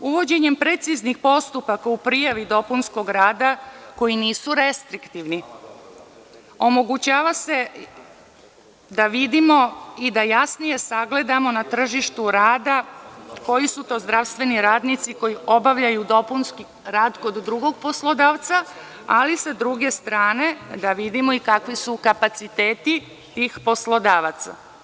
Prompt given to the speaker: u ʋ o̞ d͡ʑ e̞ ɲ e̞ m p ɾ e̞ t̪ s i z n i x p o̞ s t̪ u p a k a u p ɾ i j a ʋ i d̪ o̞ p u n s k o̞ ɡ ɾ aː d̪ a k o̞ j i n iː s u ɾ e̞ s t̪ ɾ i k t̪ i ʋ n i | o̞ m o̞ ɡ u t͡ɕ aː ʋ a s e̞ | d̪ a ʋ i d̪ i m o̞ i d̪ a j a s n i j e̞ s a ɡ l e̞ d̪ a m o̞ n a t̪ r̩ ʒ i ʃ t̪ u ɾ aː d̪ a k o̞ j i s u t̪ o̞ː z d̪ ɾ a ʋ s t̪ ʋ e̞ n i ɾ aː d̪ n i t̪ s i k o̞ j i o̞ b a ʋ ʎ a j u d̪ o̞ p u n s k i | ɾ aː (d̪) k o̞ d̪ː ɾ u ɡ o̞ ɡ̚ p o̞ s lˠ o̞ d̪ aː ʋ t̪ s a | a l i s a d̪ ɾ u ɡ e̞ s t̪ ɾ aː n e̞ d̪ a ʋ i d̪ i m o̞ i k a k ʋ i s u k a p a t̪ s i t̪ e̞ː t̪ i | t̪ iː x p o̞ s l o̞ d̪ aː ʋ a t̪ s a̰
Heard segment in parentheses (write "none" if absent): d̪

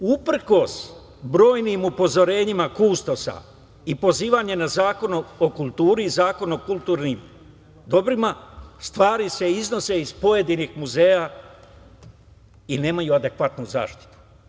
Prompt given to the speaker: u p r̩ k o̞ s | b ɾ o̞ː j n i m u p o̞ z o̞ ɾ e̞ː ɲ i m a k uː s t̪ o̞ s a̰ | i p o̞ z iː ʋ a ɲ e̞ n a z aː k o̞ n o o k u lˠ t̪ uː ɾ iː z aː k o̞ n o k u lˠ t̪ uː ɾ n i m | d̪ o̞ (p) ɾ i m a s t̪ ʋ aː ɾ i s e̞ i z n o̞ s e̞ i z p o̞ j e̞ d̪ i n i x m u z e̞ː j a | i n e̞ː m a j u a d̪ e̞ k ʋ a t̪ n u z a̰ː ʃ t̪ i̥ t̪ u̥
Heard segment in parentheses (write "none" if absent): b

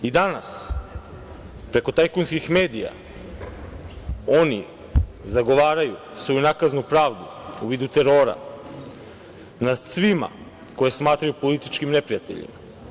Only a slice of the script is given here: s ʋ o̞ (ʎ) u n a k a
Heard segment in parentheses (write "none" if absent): j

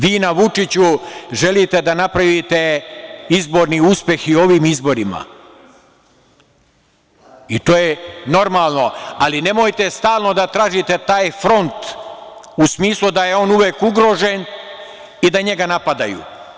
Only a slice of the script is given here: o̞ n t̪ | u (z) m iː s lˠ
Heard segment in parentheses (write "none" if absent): s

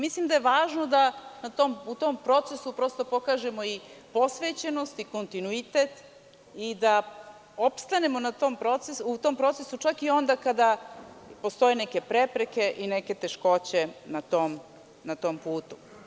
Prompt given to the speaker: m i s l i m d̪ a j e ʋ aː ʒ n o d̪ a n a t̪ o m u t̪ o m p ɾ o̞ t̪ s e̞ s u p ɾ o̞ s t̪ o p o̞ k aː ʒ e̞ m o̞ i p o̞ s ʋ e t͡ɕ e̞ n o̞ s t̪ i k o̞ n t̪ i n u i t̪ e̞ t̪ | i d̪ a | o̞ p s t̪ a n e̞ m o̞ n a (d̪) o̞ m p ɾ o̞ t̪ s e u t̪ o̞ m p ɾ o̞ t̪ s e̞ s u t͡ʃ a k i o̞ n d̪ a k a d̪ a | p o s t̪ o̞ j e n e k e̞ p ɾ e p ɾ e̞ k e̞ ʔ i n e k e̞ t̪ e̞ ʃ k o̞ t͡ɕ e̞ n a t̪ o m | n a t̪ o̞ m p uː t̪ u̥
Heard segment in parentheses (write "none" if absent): t̪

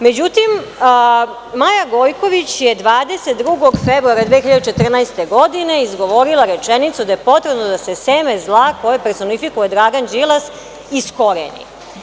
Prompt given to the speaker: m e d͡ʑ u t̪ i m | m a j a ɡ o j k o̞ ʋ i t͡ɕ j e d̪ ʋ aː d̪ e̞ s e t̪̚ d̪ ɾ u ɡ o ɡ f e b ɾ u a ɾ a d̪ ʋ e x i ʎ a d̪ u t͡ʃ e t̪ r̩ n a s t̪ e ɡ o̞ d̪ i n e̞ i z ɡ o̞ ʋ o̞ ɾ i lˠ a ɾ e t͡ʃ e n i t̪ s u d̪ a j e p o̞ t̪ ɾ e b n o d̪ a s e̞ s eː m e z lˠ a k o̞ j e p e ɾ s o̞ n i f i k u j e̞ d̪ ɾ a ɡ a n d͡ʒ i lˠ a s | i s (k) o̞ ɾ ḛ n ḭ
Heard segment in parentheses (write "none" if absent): k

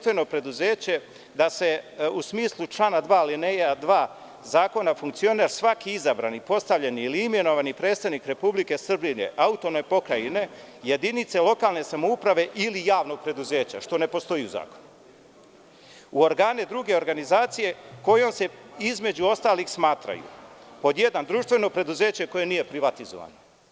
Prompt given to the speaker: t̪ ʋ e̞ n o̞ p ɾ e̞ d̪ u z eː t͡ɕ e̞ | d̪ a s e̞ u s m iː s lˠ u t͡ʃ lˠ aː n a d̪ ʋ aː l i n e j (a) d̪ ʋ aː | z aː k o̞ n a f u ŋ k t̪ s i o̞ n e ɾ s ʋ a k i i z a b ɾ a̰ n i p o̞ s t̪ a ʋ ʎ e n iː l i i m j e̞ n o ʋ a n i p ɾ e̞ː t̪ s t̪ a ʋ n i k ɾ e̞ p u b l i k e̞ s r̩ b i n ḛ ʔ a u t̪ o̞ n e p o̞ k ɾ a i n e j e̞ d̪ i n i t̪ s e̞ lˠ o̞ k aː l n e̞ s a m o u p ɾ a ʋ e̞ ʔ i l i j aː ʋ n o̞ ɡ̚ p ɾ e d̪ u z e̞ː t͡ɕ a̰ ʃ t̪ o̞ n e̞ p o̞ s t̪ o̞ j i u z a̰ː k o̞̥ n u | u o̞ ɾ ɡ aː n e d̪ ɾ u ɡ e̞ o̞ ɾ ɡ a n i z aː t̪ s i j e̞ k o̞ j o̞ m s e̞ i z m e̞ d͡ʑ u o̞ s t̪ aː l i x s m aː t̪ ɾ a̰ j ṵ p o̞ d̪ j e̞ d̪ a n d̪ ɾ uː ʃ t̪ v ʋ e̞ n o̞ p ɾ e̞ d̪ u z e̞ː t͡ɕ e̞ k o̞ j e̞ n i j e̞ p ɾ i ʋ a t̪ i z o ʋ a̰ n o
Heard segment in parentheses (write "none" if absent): a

